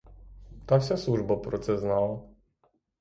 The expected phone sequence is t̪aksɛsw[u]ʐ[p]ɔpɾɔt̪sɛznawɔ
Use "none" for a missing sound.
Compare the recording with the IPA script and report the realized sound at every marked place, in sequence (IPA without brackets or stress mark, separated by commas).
u, b